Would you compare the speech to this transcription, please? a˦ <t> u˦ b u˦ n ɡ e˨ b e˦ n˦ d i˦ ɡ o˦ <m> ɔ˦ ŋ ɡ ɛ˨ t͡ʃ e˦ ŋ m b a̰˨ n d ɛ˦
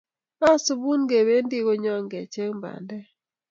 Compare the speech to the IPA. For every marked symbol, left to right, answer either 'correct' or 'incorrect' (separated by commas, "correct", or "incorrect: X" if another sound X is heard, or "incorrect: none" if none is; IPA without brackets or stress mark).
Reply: incorrect: s, incorrect: ɲ